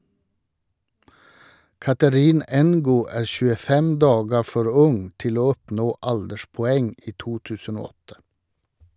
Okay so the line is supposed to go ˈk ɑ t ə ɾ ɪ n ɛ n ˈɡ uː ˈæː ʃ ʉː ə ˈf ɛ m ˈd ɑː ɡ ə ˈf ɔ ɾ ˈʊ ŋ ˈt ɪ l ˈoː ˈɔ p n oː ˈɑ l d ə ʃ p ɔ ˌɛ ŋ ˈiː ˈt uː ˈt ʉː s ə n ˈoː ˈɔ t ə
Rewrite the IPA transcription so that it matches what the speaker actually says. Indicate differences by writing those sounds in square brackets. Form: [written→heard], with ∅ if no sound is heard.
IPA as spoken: ˈk ɑ t ə ɾ ɪ n ɛ n ˈɡ uː ˈæː ʃ ʉː ə ˈf ɛ m ˈd ɑː ɡ ə ˈf ɔ ɾ ˈʊ ŋ ˈt ɪ l ˈoː ˈɔ p n oː ˈɑ l d ə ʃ p ɔ ˌɛ ŋ ˈiː ˈt uː ˈt ʉː s ə n ˈoː ˈɔ t ə